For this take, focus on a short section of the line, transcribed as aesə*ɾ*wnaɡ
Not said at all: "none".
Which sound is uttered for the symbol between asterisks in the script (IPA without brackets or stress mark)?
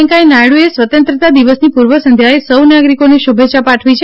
none